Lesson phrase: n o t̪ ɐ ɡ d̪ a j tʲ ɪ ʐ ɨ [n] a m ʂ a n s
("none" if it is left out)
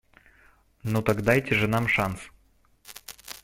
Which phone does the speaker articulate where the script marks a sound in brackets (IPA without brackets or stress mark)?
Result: n